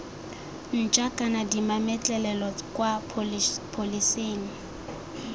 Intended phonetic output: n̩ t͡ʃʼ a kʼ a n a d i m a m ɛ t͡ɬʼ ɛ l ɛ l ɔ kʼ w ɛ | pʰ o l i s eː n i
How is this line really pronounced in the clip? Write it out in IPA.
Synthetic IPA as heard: n̩ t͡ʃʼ a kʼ a n a d i m a m ɛ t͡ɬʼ ɛ l ɛ l ɔ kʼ w a | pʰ o l i s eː n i